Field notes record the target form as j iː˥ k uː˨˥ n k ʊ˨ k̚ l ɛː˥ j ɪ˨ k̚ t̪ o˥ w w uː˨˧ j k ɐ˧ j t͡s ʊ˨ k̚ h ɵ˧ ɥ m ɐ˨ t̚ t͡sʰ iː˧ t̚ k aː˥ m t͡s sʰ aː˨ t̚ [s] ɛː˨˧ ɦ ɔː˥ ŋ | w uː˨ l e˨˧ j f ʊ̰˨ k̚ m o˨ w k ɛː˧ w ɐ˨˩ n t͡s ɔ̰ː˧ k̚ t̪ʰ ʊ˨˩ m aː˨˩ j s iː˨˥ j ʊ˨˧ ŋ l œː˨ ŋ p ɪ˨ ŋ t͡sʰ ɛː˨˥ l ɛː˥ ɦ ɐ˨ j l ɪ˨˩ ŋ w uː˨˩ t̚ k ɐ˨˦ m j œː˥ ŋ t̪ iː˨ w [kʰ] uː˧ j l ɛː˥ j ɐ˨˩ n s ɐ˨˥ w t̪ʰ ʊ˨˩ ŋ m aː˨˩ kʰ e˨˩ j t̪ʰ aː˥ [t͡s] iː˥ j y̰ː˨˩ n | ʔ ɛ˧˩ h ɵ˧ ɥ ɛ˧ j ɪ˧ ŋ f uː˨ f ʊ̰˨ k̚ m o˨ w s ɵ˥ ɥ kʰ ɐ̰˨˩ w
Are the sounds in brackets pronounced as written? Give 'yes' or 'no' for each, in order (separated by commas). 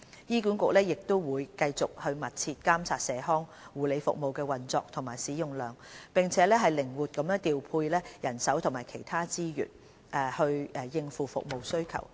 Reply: yes, no, yes